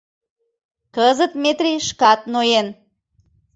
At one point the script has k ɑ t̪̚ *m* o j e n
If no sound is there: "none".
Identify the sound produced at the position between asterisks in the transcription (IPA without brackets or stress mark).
n